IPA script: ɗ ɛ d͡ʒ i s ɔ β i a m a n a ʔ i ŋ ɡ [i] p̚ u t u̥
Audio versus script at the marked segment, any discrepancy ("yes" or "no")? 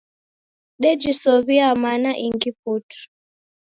no